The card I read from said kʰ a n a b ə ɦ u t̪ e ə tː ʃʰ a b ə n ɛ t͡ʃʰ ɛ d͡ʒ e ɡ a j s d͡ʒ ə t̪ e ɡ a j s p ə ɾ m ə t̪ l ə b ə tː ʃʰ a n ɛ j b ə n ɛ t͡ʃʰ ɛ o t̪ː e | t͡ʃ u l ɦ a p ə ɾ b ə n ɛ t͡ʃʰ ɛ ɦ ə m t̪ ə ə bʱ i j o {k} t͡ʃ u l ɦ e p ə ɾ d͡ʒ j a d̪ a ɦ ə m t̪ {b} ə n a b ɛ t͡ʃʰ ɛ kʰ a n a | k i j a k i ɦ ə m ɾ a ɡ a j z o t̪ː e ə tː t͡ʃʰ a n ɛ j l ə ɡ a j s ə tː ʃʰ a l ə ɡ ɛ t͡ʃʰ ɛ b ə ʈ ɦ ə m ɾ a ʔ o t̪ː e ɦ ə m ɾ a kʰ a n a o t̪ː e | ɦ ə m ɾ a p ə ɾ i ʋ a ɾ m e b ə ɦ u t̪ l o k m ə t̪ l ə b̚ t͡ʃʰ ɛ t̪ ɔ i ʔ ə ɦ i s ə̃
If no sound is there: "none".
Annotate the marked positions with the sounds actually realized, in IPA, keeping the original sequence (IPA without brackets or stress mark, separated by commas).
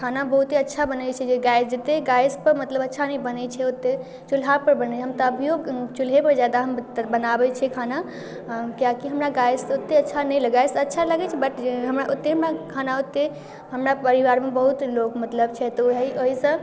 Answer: ɡ, b